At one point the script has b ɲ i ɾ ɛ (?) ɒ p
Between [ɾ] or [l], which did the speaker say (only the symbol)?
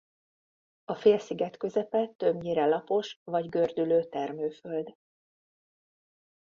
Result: l